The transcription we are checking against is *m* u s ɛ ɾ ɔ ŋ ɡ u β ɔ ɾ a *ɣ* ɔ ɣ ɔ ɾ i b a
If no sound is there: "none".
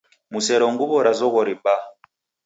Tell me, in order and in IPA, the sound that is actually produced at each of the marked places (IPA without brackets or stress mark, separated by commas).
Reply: m, z